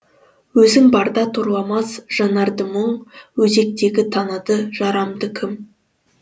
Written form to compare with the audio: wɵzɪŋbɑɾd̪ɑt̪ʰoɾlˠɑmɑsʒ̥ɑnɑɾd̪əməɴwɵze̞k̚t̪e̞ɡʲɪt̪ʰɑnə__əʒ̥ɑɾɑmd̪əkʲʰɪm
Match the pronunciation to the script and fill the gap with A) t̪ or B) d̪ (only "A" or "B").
B